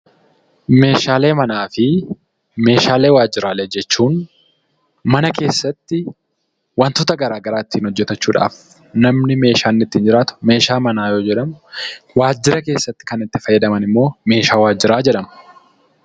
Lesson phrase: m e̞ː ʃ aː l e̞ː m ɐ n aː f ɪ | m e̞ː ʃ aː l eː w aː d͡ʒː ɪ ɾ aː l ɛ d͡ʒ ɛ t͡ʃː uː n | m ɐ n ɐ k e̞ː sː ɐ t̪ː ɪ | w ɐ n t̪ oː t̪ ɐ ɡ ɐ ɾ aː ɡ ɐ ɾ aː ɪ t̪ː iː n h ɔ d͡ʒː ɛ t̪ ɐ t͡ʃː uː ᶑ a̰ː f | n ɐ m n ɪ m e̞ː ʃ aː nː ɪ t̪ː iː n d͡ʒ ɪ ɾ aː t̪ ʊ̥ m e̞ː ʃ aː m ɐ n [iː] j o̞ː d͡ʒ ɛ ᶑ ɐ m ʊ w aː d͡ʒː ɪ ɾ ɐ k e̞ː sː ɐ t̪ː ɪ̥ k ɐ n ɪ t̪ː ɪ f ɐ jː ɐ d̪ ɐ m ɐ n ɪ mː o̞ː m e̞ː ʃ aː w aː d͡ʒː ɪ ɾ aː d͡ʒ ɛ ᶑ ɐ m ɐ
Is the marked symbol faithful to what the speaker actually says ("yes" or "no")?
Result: no